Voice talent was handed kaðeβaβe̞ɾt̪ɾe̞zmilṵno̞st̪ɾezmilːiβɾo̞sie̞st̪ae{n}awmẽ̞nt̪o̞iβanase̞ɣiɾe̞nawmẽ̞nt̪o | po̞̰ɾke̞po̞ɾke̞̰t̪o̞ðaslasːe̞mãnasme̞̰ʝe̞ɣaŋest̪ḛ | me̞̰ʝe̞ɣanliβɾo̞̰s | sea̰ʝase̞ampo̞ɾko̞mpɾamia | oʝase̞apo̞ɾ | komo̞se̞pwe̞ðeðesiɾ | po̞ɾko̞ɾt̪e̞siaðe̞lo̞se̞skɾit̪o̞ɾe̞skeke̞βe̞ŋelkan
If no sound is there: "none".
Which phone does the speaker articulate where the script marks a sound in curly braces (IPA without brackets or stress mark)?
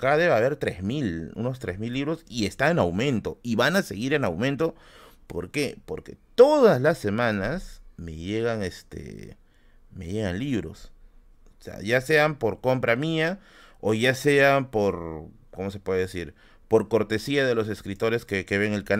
n